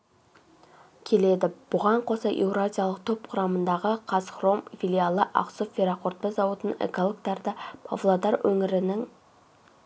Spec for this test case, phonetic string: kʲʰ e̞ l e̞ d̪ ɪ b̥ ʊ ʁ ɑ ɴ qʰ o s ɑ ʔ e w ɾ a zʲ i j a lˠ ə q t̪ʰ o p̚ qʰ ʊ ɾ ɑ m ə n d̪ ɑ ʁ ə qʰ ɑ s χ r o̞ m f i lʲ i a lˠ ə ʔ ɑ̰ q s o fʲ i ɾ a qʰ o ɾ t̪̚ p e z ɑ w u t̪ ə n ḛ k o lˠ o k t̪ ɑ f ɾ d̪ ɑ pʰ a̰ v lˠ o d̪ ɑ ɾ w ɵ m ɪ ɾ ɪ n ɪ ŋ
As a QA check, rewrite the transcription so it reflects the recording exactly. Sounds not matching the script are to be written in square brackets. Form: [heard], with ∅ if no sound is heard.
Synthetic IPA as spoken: kʲʰ e̞ l e̞ d̪ ɪ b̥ ʊ ʁ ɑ ɴ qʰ o s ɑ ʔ e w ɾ a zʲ i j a lˠ ə q t̪ʰ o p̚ qʰ ʊ ɾ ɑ m ə n d̪ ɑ ʁ ə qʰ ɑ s χ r o̞ m f i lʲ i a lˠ ə ʔ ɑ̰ q s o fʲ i ɾ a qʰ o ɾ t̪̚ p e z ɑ w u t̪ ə n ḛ k o lˠ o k t̪ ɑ [∅] ɾ d̪ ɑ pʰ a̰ v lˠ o d̪ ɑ ɾ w ɵ [ŋ] ɪ ɾ ɪ n ɪ ŋ

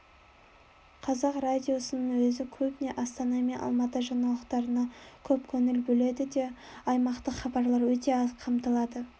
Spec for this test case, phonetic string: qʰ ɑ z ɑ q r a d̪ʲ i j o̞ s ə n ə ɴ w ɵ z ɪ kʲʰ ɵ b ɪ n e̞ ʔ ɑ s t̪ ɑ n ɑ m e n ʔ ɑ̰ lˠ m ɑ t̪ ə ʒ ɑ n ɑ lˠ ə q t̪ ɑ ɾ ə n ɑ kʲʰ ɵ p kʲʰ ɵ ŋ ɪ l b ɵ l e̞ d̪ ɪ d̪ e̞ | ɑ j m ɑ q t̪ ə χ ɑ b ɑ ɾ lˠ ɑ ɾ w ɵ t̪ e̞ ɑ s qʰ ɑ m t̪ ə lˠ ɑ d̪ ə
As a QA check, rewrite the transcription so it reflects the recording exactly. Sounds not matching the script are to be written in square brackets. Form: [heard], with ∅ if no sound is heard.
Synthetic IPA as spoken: qʰ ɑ z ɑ q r a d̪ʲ i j o̞ s ə n ə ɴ w ɵ z ɪ kʲʰ ɵ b ɪ n e̞ ʔ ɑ s t̪ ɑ n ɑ m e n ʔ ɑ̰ lˠ m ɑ t̪ ə ʒ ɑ n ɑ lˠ ə q t̪ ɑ ɾ ə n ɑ kʲʰ ɵ p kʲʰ ɵ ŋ ɪ l b ɵ l e̞ d̪ ɪ d̪ e̞ | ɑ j m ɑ q t̪ ə χ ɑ b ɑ ɾ lˠ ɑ ɾ w ɵ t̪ e̞ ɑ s qʰ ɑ m t̪ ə lˠ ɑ d̪ ə

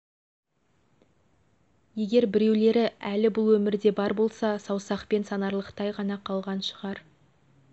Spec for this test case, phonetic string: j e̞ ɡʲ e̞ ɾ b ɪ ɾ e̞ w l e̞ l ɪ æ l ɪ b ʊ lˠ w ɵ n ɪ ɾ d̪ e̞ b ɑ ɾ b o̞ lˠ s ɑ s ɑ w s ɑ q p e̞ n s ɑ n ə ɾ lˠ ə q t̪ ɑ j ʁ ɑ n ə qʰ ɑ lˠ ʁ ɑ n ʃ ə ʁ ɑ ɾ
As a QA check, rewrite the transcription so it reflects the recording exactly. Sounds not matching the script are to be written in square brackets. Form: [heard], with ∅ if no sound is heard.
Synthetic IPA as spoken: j e̞ ɡʲ e̞ ɾ b ɪ ɾ e̞ w l e̞ [ɾ] ɪ æ l ɪ b ʊ lˠ w ɵ [m] ɪ ɾ d̪ e̞ b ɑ ɾ b o̞ lˠ s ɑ s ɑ w s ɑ q p e̞ n s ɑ n [ɑ] ɾ lˠ ə q t̪ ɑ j ʁ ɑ n [ɑ] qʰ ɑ lˠ ʁ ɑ n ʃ ə ʁ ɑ ɾ

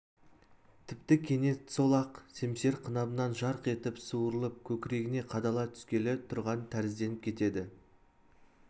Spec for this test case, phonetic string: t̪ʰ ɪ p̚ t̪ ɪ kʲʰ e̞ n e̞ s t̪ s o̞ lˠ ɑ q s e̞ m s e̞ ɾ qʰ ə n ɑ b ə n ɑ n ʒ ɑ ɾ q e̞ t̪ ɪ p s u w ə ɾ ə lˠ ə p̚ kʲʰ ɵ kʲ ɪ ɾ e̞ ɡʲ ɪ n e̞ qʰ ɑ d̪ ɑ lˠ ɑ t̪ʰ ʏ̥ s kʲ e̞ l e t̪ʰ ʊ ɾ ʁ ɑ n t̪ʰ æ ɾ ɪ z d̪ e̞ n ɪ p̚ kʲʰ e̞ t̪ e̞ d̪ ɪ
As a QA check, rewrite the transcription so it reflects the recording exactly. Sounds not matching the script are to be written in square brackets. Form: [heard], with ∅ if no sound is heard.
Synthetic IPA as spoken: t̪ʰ ɪ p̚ t̪ ɪ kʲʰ e̞ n e̞ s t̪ s o̞ lˠ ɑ q s e̞ m s e̞ ɾ qʰ ə n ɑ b ə n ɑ n ʒ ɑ ɾ q e̞ t̪ ɪ p s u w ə ɾ ə lˠ ə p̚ kʲʰ ɵ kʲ ɪ ɾ e̞ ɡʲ ɪ n e̞ qʰ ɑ d̪ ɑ lˠ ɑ t̪ʰ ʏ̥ s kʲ e̞ l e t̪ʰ ʊ ɾ ʁ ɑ n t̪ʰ æ ɾ ɪ z d̪ e̞ n ɪ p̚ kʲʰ e̞ t̪ e̞ d̪ ɪ

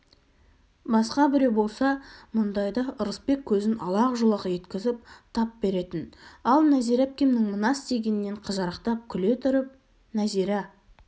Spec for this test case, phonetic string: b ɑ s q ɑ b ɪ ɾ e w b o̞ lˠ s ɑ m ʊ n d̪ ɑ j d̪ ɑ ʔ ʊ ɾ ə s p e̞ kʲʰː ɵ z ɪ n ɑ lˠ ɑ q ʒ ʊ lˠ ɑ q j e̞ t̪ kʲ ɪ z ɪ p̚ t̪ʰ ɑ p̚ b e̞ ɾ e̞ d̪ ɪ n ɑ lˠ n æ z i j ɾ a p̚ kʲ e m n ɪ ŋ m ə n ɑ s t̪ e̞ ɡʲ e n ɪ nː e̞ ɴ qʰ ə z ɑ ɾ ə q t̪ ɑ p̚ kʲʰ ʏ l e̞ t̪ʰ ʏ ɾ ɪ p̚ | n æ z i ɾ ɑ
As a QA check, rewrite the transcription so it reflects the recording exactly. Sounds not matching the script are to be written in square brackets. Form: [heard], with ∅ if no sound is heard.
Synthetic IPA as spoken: b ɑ s q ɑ b ɪ ɾ e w b o̞ lˠ s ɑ m ʊ n d̪ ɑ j d̪ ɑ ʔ ʊ ɾ ə s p e̞ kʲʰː ɵ z ɪ n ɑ lˠ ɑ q ʒ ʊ lˠ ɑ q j e̞ t̪ kʲ ɪ z ɪ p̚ t̪ʰ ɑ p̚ b e̞ ɾ e̞ [t̪] ɪ n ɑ lˠ n æ z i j ɾ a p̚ kʲ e m n ɪ ŋ m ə n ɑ s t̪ e̞ ɡʲ e n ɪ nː e̞ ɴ qʰ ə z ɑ ɾ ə q t̪ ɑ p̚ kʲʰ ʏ l e̞ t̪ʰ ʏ ɾ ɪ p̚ | n æ z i ɾ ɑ

